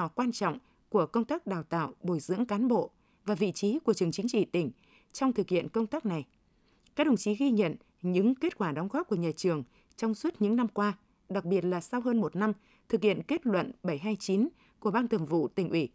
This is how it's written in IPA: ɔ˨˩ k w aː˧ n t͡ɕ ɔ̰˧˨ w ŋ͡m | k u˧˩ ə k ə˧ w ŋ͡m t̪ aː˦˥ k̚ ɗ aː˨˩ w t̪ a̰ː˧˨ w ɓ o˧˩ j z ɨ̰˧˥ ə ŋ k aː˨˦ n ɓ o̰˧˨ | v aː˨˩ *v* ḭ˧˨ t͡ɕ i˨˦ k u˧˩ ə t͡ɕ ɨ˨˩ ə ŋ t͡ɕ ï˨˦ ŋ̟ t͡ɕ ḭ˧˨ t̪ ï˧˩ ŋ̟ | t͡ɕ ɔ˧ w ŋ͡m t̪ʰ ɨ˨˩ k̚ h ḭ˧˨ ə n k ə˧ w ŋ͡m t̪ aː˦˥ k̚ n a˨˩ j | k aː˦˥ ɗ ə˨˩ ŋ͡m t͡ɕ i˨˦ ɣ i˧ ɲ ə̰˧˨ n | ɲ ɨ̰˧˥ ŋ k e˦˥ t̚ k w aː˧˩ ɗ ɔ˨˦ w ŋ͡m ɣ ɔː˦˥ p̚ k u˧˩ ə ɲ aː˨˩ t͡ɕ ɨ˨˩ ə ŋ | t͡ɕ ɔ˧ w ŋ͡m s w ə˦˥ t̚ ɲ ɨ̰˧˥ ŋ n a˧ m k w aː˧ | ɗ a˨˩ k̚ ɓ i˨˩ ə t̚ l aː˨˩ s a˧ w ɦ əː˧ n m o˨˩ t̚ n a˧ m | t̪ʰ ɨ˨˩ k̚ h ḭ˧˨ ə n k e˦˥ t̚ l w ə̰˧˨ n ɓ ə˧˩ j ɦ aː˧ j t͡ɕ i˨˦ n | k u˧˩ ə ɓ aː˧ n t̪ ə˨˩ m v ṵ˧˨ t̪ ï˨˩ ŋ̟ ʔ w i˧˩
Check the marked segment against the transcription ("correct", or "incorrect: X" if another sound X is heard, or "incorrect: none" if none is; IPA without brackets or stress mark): correct